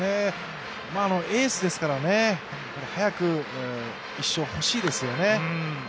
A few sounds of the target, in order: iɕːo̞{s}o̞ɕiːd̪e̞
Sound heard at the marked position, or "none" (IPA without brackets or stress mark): h